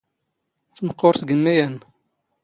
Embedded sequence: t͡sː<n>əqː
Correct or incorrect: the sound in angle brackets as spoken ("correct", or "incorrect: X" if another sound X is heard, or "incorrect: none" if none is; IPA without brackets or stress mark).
incorrect: m